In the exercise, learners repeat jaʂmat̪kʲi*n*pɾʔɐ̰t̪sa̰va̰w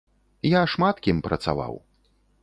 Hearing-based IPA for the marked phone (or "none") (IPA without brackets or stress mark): m